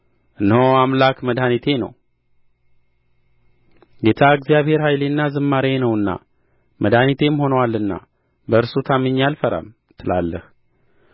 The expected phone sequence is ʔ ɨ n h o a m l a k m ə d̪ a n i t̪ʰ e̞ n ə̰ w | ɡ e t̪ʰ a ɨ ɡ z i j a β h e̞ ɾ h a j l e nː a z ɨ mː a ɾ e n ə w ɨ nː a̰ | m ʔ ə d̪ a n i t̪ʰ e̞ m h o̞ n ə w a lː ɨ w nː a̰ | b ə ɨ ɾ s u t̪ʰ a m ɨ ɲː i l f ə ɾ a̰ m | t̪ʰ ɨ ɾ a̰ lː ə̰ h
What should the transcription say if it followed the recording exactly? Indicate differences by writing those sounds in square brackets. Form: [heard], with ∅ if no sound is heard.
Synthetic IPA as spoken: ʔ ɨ n h o a m l a k m ə d̪ a n i t̪ʰ e̞ n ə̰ w | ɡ e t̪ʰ a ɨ ɡ z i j a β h e̞ ɾ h a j l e nː a z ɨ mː a ɾ e n ə w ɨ nː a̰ | m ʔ ə d̪ a n i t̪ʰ e̞ m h o̞ n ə w a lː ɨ [∅] nː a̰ | b ə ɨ ɾ s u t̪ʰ a m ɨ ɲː [a] l f ə ɾ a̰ m | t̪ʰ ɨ [l] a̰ lː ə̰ h

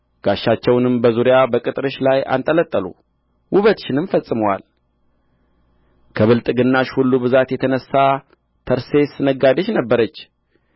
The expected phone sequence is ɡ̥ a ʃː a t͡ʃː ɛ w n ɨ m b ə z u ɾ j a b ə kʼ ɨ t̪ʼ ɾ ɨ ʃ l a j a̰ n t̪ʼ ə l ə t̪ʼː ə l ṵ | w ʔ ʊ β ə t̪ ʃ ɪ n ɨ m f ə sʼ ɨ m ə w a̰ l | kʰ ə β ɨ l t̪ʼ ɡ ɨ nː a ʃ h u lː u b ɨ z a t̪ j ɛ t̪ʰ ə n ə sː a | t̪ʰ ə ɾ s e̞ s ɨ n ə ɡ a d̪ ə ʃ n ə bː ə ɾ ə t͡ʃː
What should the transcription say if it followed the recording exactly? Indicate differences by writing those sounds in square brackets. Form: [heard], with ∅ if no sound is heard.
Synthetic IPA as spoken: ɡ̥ a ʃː a t͡ʃː ɛ w n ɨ m b ə z u ɾ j a b ə kʼ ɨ t̪ʼ ɾ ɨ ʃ l a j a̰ n t̪ʼ ə l ə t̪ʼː ə l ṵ | w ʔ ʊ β ə t̪ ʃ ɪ n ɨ m f ə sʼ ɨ m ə w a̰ l | kʰ ə β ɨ l t̪ʼ ɡ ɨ nː a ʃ h u lː u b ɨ z a t̪ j ɛ t̪ʰ ə n ə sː a | t̪ʰ ə ɾ s e̞ s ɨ n ə ɡ a d̪ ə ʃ n ə bː ə ɾ ə t͡ʃː

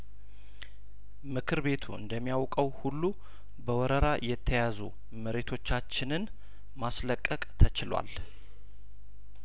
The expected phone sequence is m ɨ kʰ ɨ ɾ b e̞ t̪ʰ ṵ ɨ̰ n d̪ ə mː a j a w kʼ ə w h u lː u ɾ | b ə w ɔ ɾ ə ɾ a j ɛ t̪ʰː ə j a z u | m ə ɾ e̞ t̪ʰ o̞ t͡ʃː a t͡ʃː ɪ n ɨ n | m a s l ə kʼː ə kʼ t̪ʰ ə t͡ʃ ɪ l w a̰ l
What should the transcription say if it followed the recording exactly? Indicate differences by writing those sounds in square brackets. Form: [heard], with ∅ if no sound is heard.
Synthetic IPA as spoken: m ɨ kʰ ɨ ɾ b e̞ t̪ʰ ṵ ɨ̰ n d̪ ə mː [i] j a w kʼ ə w h u lː u [∅] | b ə w ɔ ɾ ə ɾ a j ɛ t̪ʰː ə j a z u | m ə ɾ e̞ t̪ʰ o̞ t͡ʃː a t͡ʃː ɪ n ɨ n | m a s l ə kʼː ə kʼ t̪ʰ ə t͡ʃ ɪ l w a̰ l

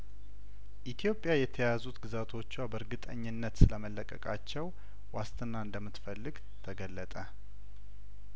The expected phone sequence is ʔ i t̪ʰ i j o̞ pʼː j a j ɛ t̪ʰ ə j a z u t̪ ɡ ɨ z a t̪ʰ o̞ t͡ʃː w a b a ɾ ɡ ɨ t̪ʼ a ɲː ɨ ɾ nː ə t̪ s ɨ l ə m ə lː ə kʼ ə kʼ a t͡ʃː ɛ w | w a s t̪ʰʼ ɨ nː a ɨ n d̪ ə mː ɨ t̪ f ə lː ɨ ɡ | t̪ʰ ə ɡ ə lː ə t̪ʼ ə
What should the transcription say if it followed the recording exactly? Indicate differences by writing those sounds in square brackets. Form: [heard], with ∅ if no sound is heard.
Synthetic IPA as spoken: ʔ i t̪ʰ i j o̞ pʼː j a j ɛ t̪ʰ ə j a z u t̪ ɡ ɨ z a t̪ʰ o̞ t͡ʃː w a b [ə] ɾ ɡ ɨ t̪ʼ [ə] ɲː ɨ [∅] nː ə t̪ s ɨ l ə m ə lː ə kʼ ə kʼ a t͡ʃː ɛ w | w a s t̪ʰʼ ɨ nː a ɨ n d̪ ə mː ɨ t̪ f ə lː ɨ ɡ | t̪ʰ ə ɡ ə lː ə t̪ʼ ə

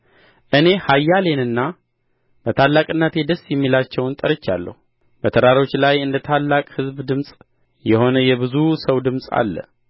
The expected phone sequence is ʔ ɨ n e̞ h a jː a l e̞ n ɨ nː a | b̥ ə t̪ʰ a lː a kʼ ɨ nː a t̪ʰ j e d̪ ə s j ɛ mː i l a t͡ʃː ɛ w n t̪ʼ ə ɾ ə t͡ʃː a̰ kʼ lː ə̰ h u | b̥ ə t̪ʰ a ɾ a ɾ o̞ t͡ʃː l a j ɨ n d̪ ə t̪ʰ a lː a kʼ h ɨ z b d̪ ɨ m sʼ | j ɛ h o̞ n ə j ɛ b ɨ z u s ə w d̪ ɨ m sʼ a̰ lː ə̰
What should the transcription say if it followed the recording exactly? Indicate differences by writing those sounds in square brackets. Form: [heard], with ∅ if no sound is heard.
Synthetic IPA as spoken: ʔ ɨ n e̞ h a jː a l e̞ n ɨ nː a | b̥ ə t̪ʰ a lː a kʼ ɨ nː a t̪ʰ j e d̪ ə s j ɛ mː i l a t͡ʃː ɛ w n t̪ʼ ə ɾ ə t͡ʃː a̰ [∅] lː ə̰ h u | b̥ ə t̪ʰ [ə] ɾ a ɾ o̞ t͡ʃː l a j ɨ n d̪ ə t̪ʰ a lː a kʼ h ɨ z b d̪ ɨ m sʼ | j ɛ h o̞ n ə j ɛ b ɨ z u s ə w d̪ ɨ m sʼ a̰ lː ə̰

